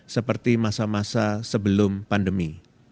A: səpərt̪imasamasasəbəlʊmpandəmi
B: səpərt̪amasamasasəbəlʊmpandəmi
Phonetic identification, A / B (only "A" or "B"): A